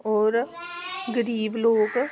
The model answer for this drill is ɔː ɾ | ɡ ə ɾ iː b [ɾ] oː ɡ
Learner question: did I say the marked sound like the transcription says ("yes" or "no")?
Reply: no